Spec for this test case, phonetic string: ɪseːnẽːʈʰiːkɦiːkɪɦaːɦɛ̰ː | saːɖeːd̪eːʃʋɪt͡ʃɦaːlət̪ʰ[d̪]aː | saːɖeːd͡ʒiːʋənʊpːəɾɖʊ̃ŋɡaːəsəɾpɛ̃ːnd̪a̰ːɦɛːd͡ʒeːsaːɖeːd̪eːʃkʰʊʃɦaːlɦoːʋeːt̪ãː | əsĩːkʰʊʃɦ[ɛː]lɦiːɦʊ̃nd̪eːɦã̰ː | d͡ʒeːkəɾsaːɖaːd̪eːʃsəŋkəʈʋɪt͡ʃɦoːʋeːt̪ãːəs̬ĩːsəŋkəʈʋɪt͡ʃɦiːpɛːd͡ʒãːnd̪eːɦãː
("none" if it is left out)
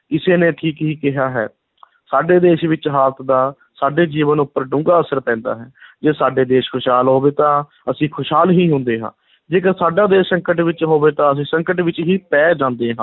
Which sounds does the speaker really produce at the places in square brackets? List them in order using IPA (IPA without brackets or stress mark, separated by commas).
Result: d̪, aː